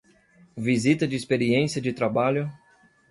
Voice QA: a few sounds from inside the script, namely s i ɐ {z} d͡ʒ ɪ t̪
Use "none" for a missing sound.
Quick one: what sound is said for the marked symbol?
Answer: none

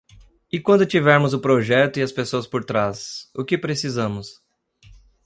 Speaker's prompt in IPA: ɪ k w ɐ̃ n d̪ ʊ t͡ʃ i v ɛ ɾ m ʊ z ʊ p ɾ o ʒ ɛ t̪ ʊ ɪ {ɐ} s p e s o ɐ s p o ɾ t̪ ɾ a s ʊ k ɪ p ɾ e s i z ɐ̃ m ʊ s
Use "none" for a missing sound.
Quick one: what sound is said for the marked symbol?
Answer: ɐ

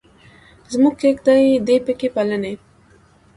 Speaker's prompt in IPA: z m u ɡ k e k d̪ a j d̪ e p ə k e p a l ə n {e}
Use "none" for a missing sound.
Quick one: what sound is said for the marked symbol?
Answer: e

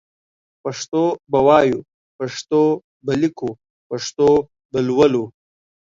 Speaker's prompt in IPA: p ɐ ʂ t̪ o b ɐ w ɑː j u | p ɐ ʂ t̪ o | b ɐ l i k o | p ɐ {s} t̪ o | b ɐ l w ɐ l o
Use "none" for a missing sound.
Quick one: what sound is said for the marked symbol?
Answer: ʂ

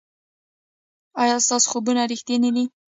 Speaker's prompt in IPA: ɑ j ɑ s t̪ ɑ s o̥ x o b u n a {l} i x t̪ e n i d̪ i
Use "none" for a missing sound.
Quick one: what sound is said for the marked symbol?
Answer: ɾ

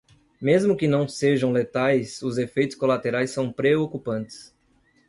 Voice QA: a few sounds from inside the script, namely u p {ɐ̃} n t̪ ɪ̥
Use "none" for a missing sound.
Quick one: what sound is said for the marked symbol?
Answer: ɐ̃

